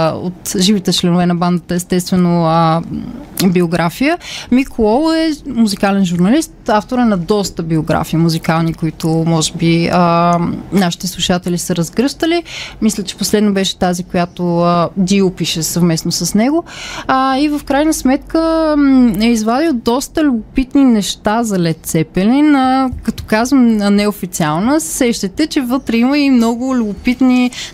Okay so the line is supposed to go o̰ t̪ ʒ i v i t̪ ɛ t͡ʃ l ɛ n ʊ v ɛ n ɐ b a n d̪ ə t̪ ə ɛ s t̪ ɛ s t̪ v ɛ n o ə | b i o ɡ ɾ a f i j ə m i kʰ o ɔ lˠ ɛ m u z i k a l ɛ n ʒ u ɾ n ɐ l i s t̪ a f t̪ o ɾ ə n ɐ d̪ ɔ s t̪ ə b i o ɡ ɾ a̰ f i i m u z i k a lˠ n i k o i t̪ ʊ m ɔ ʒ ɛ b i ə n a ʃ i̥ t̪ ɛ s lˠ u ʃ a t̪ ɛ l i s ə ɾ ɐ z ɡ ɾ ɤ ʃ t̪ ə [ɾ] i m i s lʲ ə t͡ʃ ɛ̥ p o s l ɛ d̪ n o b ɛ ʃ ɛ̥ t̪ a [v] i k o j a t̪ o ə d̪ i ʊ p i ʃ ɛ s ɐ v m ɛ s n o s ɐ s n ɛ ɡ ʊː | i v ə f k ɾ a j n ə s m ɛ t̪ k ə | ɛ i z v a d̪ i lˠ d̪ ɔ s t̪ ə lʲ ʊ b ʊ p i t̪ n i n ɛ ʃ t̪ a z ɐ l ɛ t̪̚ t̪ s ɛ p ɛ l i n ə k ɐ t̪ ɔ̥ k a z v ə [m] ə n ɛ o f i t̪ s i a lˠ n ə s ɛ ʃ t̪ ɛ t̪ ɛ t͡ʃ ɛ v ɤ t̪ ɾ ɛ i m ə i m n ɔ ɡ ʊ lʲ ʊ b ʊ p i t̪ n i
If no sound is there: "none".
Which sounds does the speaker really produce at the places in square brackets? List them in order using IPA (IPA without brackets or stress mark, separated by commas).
l, z, m